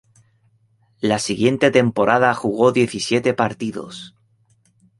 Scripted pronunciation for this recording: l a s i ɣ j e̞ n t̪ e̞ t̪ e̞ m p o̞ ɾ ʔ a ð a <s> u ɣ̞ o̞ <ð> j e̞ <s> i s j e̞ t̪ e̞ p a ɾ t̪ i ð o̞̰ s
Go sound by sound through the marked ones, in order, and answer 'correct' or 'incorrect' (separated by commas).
incorrect, correct, incorrect